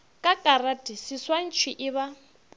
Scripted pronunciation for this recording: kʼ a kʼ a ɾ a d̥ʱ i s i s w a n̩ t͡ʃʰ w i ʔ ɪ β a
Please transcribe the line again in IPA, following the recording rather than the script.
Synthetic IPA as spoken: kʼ a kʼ a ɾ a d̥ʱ i s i s w a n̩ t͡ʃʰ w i ʔ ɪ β a